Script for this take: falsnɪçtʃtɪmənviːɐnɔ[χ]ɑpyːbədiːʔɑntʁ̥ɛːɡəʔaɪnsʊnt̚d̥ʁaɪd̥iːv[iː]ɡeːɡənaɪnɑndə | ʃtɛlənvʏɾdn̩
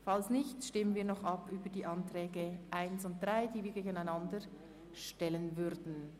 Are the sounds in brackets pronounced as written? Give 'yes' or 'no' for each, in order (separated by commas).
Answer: yes, yes